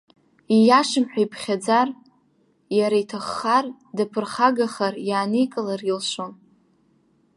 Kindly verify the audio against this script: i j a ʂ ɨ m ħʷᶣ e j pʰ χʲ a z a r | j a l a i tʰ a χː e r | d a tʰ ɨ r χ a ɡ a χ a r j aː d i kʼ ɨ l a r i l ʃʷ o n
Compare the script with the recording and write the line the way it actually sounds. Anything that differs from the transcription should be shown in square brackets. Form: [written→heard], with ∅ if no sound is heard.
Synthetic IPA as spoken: i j a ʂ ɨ m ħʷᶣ [e→a] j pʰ χʲ a [z→d͡z] a r | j a [l→ɾ] a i tʰ a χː [e→a] r | d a [tʰ→pʰ] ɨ r χ a ɡ a χ a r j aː [d→n] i kʼ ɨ l a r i l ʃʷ o n